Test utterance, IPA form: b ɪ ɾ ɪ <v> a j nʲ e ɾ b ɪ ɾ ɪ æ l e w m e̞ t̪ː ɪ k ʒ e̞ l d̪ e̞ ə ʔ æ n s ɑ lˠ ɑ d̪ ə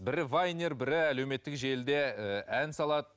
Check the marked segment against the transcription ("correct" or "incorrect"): correct